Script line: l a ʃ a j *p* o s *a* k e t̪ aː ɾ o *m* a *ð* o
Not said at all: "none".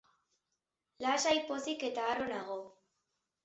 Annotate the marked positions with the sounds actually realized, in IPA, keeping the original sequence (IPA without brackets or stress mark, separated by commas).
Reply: p, i, n, ɣ